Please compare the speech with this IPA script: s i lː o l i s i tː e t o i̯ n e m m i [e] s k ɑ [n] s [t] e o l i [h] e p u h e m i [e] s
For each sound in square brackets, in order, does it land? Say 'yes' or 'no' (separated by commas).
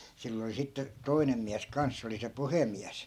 no, yes, no, no, no